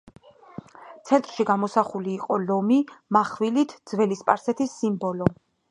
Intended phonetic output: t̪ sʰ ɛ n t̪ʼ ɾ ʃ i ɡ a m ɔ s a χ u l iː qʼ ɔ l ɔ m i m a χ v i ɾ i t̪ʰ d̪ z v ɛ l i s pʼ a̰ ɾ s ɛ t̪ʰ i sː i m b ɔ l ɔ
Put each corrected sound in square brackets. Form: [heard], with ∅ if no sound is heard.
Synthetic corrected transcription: t̪ sʰ ɛ n t̪ʼ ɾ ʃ i ɡ a m ɔ s a χ u l iː qʼ ɔ l ɔ m i m a χ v i [l] i t̪ʰ d̪ z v ɛ l i s pʼ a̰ ɾ s ɛ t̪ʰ i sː i m b ɔ l ɔ